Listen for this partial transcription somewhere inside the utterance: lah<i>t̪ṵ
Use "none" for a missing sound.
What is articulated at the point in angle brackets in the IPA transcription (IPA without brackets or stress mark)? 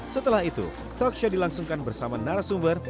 i